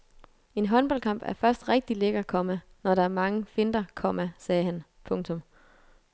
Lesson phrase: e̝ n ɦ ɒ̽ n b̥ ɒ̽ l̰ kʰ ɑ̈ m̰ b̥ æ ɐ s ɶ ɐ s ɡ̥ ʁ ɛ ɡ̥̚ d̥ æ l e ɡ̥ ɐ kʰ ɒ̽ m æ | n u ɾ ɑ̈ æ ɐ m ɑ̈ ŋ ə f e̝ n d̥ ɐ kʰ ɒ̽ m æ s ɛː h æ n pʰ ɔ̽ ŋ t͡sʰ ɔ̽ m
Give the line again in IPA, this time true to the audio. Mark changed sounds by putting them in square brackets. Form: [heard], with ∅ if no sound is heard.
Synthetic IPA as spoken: e̝ n ɦ ɒ̽ n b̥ ɒ̽ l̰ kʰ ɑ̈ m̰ b̥ æ ɐ [f] ɶ ɐ s [d̥] ʁ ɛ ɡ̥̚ d̥ [i] l e ɡ̥ ɐ kʰ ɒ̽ m æ | n [ɒ] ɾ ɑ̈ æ ɐ m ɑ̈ ŋ ə f e̝ n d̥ ɐ kʰ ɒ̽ m æ s ɛː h æ n pʰ ɔ̽ ŋ t͡sʰ ɔ̽ m